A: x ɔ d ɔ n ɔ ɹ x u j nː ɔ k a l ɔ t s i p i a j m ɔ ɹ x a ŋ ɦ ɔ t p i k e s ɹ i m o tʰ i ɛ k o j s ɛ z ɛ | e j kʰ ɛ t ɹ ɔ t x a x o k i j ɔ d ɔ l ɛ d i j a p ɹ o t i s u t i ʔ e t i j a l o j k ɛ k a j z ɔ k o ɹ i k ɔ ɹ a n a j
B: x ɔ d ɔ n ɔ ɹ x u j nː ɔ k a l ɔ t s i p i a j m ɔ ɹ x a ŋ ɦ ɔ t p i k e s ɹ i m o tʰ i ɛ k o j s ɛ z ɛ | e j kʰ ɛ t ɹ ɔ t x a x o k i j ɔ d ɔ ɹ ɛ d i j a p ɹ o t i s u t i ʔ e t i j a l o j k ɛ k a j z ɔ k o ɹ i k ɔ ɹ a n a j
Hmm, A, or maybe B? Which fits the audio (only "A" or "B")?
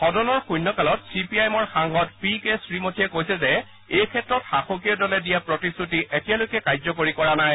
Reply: A